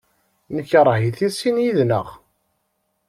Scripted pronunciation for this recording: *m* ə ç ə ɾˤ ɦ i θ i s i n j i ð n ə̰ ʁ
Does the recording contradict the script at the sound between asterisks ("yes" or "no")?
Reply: yes